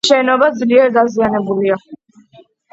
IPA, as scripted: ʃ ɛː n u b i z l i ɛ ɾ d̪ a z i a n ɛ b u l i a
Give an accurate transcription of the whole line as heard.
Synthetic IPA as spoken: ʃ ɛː n ɔ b a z l i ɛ ɾ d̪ a z i a n ɛ b u l i a